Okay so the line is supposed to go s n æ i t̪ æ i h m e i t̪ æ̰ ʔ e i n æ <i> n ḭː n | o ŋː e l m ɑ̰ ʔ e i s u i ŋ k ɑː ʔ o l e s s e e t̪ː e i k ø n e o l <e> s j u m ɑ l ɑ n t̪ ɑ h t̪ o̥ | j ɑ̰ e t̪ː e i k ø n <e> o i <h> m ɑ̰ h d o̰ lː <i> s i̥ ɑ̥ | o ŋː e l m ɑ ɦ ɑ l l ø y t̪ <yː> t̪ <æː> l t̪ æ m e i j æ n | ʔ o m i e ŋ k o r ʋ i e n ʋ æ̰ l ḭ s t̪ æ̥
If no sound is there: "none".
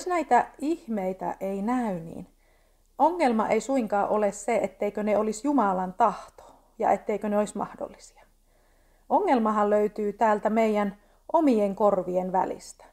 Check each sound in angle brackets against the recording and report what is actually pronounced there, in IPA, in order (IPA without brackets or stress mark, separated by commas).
y, i, e, s, i, yː, æː